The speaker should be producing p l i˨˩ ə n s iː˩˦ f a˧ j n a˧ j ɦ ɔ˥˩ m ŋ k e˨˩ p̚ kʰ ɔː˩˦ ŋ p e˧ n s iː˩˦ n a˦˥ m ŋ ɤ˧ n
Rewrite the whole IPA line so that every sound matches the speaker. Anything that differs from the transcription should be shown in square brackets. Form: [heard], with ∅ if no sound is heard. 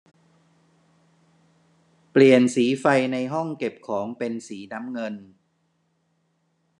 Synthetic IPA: p l i˨˩ ə n s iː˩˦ f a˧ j n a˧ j ɦ ɔ˥˩ [∅] ŋ k e˨˩ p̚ kʰ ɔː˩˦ ŋ p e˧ n s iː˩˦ n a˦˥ m ŋ ɤ˧ n